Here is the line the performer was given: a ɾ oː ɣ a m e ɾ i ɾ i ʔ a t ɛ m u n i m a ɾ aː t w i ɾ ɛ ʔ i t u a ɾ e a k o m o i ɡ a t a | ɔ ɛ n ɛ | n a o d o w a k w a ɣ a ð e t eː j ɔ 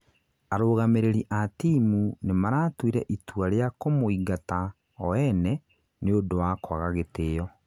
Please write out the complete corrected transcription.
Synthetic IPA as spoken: a ɾ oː ɣ a m e ɾ e ɾ i ʔ a t i m u n e m a ɾ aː t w i ɾ ɛ ʔ i t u a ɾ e a k o m o i ɡ a t a | ɔ ɛ n ɛ | n e o d o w a k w a ɣ a ɣ e t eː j ɔ